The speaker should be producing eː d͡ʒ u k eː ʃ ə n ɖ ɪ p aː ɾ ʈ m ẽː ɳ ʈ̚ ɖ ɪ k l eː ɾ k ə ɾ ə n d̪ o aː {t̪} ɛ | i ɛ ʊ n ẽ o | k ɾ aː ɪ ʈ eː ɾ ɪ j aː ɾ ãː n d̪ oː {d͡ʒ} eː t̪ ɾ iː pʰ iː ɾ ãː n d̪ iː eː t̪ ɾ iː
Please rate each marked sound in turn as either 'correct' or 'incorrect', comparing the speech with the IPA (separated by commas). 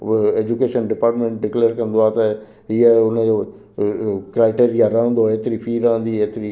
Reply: correct, incorrect